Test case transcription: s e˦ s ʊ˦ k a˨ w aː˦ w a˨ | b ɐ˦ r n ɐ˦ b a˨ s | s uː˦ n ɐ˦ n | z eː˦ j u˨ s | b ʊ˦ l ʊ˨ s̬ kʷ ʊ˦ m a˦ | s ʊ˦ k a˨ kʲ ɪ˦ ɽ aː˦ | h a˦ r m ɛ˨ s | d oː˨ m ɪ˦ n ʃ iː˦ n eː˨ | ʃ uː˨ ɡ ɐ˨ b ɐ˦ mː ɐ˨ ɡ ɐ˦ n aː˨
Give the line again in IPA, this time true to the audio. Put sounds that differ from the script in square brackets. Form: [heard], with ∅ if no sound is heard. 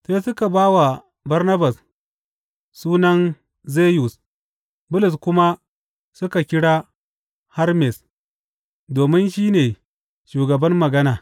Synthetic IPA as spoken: s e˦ s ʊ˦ k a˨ [b] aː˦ w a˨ | b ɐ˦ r n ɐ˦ b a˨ s | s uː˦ n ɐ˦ n | z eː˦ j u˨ s | b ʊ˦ l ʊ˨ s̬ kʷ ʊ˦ m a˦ | s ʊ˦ k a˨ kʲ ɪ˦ ɽ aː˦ | h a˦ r m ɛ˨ s | d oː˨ m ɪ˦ n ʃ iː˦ n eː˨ | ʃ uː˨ ɡ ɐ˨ b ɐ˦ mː ɐ˨ ɡ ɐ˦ n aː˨

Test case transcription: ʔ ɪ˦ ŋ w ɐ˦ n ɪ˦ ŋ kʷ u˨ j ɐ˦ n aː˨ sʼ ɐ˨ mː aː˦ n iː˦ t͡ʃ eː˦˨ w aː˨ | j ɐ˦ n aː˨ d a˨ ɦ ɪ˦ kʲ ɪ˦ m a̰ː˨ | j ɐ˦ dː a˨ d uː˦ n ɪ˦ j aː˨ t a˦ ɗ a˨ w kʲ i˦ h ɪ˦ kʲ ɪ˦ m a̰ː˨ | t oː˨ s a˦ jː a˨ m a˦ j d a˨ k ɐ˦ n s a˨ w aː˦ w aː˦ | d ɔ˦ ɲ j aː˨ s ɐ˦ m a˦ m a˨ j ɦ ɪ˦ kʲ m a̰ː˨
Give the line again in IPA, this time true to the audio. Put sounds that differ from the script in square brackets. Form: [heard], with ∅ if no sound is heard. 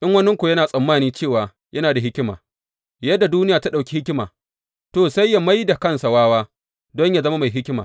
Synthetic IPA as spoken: ʔ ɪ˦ ŋ w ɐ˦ n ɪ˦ ŋ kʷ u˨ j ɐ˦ n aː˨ sʼ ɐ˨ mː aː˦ n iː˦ t͡ʃ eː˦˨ w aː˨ | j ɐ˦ n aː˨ d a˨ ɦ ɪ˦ kʲ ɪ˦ m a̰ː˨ | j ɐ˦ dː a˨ d uː˦ n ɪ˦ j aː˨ t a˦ ɗ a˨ w kʲ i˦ h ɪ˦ kʲ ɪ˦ m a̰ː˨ | t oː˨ s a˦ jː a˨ m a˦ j d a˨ k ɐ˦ n s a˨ w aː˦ w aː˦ | d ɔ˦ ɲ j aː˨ [z] ɐ˦ m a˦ m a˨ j ɦ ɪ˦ kʲ m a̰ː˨

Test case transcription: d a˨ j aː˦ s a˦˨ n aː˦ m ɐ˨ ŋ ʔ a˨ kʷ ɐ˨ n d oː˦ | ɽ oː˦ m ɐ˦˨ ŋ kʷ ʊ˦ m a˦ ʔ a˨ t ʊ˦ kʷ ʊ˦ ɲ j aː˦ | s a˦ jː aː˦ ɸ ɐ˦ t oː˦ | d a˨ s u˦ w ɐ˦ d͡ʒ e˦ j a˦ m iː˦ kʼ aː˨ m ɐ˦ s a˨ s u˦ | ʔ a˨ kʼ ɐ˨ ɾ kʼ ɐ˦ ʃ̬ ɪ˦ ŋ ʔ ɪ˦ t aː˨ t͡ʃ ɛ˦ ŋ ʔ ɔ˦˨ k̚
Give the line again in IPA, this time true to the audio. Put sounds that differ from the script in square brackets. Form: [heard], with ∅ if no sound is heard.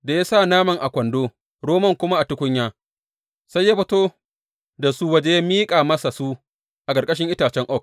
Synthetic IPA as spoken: d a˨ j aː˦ s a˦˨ n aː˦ m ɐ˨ ŋ ʔ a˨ kʷ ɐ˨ n d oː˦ | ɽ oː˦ m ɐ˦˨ ŋ kʷ ʊ˦ m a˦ ʔ a˨ t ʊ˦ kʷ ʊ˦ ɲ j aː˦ | s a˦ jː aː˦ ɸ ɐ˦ t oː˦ | d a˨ s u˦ w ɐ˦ d͡ʒ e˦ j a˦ m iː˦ kʼ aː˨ m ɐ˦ s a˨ s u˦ | ʔ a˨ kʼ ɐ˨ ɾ kʼ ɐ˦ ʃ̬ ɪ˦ ŋ ʔ ɪ˦ t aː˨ t͡ʃ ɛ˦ ŋ ʔ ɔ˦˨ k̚

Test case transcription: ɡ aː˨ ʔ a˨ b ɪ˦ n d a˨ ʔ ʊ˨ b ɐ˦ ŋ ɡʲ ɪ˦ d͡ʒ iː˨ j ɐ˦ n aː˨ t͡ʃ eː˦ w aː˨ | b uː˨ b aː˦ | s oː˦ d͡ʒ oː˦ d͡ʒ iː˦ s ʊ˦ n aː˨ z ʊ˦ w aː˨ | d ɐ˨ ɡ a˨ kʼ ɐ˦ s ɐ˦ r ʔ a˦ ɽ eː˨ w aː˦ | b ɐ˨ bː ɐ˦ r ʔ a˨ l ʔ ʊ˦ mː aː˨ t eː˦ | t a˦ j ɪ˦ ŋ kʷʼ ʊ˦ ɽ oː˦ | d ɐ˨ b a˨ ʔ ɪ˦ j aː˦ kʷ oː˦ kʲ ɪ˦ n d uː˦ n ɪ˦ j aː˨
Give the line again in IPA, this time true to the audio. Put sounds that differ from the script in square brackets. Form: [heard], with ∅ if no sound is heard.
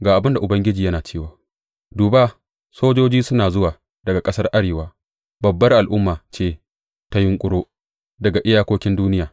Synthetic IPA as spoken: ɡ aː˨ ʔ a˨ b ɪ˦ n d a˨ ʔ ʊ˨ b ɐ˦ ŋ ɡʲ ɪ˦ d͡ʒ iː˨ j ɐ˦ n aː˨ t͡ʃ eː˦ w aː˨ | [d] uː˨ b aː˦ | s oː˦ d͡ʒ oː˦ d͡ʒ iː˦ s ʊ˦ n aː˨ z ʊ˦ w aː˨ | d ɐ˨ ɡ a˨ kʼ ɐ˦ s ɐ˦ r ʔ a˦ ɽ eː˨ w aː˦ | b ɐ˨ bː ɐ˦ r ʔ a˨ l ʔ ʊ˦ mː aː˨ [t͡ʃ] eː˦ | t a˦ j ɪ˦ ŋ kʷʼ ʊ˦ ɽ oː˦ | d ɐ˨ [ɡ] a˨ ʔ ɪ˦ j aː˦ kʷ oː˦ kʲ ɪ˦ n d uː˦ n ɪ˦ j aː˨

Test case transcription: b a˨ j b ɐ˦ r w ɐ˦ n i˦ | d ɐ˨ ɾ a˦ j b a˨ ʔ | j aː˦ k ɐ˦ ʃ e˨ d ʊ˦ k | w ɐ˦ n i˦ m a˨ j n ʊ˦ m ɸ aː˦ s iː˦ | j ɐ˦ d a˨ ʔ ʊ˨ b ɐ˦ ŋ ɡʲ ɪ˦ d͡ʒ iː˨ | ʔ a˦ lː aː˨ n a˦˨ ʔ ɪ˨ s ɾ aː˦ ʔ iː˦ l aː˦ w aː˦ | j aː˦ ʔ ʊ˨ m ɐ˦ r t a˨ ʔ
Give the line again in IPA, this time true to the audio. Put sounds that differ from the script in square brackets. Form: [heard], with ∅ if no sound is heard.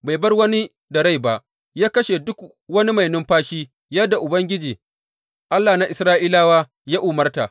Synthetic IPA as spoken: b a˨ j b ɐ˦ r w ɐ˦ n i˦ | d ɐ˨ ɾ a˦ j b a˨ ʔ | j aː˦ k ɐ˦ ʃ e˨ d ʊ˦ k | w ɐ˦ n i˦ m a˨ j n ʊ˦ m ɸ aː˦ [ʃ] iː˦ | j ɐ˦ d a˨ ʔ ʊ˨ b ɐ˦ ŋ ɡʲ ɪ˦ d͡ʒ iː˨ | ʔ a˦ lː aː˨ n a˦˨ ʔ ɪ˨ s ɾ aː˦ ʔ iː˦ l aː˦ w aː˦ | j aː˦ ʔ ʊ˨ m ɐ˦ r t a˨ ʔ

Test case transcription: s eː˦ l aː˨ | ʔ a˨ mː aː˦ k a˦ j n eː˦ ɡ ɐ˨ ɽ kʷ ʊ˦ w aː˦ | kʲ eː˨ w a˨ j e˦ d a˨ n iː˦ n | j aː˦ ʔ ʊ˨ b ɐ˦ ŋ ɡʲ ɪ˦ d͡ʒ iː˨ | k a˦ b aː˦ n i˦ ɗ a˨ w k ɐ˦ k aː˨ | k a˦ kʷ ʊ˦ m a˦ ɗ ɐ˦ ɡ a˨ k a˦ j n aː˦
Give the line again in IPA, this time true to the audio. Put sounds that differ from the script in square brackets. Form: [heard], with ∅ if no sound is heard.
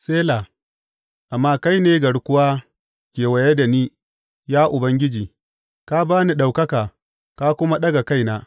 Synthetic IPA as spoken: s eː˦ l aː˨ | ʔ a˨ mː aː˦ k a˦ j n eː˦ ɡ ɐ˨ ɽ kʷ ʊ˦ w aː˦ | kʲ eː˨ w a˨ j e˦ d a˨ n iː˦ [∅] | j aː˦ ʔ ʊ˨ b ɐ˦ ŋ ɡʲ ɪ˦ d͡ʒ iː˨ | k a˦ b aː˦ n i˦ ɗ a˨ w k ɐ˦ k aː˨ | k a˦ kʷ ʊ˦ m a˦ ɗ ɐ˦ ɡ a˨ k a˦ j n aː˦

